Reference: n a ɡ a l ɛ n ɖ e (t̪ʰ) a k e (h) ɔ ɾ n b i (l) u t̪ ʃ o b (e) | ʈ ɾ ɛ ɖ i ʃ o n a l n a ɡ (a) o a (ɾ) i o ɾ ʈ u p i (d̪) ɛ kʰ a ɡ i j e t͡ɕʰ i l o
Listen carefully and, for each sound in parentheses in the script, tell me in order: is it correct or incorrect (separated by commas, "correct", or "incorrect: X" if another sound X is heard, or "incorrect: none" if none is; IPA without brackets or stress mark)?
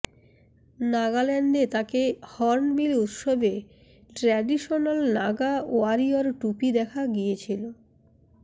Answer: incorrect: t̪, correct, correct, correct, correct, correct, correct